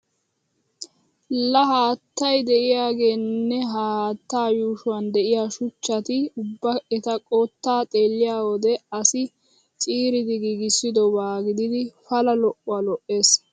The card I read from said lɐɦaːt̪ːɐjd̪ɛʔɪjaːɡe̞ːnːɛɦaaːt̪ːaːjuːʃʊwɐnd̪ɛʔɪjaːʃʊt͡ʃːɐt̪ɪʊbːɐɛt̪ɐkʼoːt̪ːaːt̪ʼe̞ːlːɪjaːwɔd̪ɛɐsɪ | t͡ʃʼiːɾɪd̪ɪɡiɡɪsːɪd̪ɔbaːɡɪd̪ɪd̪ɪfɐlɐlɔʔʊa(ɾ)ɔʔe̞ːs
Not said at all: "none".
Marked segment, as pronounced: l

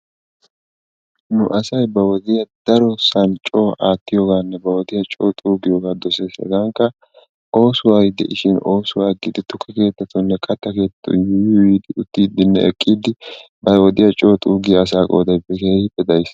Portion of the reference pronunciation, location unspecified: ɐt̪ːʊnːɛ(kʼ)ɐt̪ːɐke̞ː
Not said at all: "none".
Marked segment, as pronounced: kʼ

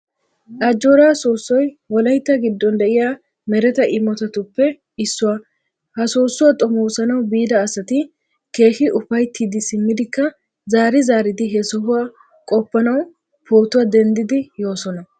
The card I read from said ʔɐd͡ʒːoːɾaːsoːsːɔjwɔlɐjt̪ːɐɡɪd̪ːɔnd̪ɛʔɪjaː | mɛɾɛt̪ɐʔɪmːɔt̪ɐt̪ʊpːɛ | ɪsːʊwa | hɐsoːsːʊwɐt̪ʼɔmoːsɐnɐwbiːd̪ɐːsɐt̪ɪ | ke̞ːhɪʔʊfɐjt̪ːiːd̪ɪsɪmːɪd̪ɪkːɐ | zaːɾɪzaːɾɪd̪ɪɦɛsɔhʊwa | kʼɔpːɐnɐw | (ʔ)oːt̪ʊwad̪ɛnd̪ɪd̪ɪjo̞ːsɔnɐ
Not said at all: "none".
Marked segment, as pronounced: p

